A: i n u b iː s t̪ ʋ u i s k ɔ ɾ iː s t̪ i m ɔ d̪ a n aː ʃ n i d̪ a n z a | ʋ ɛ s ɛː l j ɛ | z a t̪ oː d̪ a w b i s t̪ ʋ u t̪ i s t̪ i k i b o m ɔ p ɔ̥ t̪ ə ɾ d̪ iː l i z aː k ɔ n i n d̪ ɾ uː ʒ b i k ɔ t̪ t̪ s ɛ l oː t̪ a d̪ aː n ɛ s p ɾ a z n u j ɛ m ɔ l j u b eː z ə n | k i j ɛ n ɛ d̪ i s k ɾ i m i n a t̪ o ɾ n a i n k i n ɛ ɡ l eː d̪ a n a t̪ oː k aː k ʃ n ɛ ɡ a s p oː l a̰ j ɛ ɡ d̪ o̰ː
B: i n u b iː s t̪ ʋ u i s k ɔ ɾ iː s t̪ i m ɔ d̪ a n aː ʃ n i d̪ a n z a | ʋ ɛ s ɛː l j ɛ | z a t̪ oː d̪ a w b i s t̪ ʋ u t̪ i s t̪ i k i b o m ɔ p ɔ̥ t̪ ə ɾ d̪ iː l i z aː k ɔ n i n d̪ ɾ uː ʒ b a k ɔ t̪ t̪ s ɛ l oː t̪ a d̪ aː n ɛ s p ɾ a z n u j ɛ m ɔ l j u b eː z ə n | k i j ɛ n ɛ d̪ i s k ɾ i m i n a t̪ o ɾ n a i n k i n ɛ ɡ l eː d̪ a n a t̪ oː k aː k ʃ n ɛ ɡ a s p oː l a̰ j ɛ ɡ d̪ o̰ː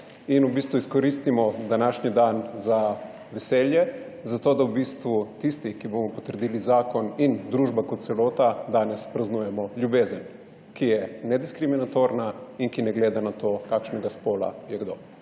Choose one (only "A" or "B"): B